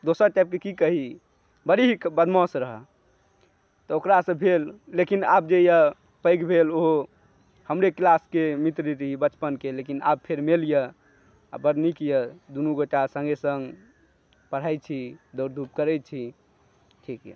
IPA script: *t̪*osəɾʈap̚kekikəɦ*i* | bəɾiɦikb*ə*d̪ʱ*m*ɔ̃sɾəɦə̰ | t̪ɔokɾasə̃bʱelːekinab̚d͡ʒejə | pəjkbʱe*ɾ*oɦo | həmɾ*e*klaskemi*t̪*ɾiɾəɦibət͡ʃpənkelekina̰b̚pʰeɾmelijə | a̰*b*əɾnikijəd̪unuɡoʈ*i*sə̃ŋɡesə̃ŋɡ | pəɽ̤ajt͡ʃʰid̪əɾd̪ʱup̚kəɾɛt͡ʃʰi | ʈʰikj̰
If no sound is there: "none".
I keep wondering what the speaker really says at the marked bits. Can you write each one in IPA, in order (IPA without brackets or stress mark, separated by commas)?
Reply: d̪, i, ə, m, l, e, t̪, b, a